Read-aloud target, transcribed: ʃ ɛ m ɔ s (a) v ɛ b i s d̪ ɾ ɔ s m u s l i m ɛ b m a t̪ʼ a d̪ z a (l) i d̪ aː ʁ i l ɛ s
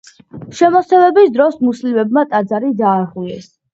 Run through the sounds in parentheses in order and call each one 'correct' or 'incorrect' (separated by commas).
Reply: incorrect, incorrect